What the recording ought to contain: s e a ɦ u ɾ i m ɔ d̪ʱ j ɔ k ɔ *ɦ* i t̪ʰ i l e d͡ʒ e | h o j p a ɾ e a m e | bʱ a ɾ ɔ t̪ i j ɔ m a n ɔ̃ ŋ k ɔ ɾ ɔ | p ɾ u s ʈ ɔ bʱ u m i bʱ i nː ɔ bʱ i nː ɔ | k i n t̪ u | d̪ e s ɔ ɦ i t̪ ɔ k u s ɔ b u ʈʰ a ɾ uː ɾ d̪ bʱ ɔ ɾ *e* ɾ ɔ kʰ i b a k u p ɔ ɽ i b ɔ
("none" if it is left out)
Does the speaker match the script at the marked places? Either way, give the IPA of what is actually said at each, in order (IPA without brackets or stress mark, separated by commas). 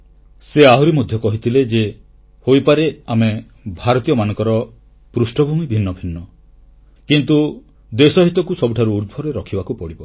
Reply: ɦ, e